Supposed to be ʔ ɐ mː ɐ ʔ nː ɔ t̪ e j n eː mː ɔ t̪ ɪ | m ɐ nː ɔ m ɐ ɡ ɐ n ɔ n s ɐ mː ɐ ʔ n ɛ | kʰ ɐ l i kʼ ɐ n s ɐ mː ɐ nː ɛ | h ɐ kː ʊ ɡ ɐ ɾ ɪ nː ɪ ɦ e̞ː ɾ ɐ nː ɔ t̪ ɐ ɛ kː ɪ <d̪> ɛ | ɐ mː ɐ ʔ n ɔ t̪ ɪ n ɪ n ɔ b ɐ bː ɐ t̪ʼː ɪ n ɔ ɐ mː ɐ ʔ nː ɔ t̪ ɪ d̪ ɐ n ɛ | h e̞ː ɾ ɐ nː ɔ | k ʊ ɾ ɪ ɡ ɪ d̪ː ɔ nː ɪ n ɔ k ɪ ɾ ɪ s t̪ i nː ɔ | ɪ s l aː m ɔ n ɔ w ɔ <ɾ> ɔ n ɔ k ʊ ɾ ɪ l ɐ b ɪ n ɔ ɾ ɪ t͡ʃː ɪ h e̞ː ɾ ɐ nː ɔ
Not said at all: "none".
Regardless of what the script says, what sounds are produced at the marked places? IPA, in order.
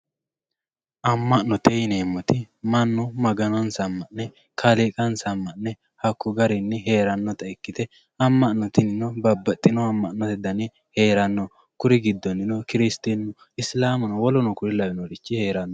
t̪, l

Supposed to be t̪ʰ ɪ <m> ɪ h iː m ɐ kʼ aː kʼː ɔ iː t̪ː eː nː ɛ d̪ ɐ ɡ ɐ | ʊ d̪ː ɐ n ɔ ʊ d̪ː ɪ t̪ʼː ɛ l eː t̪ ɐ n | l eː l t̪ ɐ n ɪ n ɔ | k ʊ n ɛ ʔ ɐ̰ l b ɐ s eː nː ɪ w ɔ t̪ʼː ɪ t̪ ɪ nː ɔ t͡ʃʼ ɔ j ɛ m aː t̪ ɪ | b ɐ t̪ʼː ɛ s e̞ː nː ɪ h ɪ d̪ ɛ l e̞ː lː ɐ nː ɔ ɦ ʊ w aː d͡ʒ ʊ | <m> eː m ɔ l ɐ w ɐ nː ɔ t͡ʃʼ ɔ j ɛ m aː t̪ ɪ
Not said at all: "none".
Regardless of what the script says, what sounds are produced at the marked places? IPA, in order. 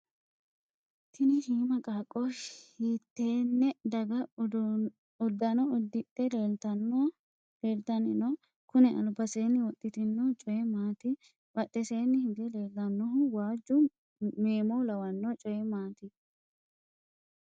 n, m

